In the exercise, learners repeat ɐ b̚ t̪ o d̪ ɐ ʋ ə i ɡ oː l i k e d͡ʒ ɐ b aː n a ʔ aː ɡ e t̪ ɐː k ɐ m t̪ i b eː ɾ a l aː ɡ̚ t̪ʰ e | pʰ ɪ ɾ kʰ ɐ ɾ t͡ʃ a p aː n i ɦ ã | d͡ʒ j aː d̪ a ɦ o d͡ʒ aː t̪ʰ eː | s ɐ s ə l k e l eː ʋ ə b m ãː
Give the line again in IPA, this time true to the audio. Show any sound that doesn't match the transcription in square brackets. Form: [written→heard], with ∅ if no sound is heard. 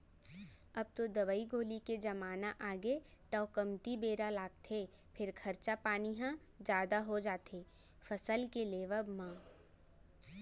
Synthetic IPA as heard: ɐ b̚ t̪ o d̪ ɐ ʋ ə i ɡ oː l i k e d͡ʒ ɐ [b→m] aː n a ʔ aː ɡ e t̪ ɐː k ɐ m t̪ i b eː ɾ a l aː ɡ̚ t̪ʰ e | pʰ ɪ ɾ kʰ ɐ ɾ t͡ʃ a p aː n i ɦ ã | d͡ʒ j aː d̪ a ɦ o d͡ʒ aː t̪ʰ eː | [s→f] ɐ s ə l k e l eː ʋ ə b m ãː